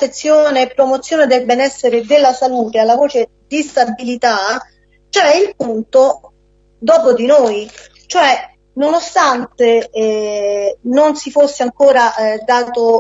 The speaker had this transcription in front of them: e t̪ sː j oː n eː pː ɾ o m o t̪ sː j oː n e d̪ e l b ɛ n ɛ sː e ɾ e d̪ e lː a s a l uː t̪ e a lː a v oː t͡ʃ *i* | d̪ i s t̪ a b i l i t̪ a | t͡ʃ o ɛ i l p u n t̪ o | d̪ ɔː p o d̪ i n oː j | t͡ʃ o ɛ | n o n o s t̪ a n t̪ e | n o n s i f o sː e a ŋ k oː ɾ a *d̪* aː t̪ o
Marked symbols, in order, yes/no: no, yes

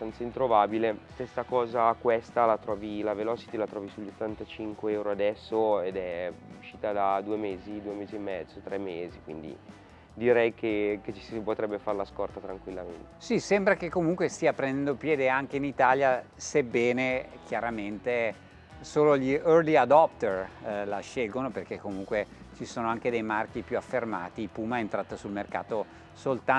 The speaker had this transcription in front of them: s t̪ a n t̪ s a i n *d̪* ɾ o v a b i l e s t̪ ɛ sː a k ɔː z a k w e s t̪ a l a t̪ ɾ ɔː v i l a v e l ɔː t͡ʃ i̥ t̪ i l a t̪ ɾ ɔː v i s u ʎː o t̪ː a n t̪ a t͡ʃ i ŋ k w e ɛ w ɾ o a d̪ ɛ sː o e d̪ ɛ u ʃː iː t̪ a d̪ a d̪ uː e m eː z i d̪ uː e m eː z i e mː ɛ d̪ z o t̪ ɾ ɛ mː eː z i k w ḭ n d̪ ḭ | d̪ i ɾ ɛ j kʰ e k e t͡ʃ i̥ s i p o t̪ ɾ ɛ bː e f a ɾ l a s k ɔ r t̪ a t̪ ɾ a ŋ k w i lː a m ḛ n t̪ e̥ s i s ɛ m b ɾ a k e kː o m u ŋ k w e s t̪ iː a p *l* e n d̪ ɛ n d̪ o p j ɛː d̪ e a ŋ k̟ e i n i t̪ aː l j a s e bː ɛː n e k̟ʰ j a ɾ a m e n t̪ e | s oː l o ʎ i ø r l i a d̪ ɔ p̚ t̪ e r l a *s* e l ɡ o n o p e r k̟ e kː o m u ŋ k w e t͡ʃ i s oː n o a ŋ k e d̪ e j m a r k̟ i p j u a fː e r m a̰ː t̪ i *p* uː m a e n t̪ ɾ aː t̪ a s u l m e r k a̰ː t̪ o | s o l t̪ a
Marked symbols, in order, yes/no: no, no, no, yes

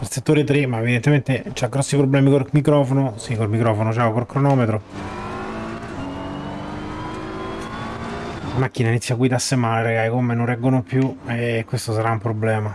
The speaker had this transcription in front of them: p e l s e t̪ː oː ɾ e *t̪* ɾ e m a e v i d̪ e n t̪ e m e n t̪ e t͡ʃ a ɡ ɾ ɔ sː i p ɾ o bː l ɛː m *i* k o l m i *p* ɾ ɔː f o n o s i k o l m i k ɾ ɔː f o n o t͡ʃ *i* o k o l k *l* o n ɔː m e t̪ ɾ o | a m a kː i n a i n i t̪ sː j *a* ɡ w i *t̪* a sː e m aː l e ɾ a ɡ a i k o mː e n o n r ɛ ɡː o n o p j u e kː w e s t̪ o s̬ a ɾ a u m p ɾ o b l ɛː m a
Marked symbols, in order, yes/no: yes, yes, no, no, no, yes, no

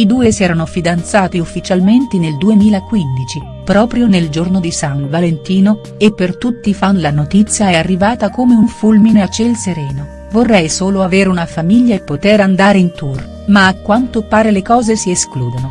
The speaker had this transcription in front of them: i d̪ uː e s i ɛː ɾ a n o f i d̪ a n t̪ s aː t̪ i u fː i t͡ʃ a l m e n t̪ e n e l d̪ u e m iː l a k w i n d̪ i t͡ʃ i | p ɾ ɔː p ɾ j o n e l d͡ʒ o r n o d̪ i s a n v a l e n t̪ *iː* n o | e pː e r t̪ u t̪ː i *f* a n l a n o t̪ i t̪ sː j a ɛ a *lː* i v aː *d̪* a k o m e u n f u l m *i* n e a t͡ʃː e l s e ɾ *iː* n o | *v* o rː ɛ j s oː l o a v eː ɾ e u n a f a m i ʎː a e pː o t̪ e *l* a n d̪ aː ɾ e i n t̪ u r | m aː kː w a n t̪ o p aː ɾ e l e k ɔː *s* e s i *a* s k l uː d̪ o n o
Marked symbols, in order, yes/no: yes, yes, no, no, yes, no, yes, no, no, no

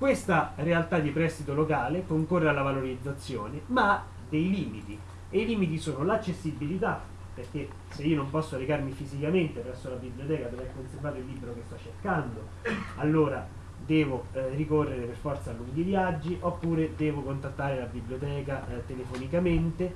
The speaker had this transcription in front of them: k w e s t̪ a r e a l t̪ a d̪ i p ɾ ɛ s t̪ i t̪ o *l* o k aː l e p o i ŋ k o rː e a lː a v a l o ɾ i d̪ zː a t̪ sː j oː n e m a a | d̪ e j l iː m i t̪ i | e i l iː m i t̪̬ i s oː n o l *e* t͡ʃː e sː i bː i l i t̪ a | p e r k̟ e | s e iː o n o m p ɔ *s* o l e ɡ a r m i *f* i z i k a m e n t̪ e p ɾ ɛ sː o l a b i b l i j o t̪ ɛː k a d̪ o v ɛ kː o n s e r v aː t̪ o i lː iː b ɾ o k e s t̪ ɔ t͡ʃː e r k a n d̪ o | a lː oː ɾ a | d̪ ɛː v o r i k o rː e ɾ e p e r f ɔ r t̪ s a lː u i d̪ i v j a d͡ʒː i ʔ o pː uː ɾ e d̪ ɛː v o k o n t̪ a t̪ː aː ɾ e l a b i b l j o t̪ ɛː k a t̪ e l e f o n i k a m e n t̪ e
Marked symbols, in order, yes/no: yes, no, no, yes

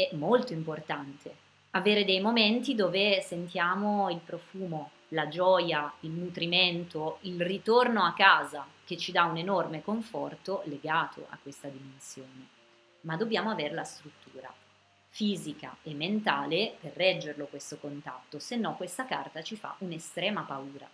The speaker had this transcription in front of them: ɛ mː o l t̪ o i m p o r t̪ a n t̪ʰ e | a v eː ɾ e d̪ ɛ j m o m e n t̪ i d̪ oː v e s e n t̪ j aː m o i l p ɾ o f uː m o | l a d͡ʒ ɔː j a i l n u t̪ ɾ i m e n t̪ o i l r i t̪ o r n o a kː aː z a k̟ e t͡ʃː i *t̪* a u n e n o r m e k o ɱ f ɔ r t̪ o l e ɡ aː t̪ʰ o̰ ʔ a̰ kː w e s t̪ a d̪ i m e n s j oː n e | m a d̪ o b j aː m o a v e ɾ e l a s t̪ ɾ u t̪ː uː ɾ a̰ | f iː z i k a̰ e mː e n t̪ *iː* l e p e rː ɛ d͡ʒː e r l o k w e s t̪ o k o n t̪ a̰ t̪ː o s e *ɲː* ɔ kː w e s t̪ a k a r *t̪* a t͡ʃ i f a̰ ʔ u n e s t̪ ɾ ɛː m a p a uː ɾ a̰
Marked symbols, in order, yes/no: no, no, no, yes

